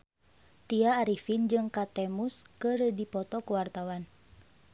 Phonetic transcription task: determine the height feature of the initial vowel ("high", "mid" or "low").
high